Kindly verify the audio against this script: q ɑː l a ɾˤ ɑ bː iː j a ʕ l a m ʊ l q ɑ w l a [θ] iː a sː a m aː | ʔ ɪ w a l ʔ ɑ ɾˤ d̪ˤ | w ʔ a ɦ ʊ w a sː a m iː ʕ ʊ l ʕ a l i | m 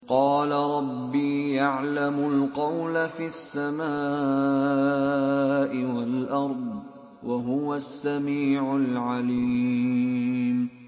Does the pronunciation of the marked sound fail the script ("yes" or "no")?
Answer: yes